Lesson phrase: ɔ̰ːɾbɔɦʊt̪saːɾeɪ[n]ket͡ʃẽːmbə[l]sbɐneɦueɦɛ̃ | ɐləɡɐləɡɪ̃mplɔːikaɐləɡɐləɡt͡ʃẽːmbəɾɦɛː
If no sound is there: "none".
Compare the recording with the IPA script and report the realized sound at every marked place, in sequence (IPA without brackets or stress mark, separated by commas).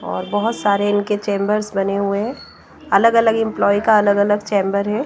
n, ɾ